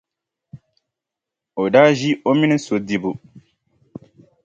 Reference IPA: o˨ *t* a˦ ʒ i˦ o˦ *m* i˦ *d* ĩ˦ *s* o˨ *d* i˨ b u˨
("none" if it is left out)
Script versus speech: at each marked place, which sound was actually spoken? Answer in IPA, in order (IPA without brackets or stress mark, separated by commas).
d, m, n, s, d